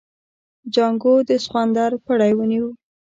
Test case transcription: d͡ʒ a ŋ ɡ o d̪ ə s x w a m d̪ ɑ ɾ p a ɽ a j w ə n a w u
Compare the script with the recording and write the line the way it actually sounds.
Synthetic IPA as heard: d͡ʒ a ŋ ɡ o d̪ ə s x w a n d̪ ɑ ɾ p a ɽ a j w ə n i w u